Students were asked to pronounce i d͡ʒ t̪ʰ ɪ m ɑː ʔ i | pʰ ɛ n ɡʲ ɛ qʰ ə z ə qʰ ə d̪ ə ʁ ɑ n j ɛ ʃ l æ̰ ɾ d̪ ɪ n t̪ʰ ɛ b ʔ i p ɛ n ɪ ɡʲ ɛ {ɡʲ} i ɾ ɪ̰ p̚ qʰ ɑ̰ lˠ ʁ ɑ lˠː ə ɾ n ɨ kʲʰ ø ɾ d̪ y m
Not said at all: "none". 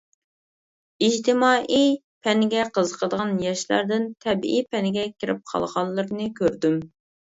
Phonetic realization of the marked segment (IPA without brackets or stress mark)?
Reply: kʲ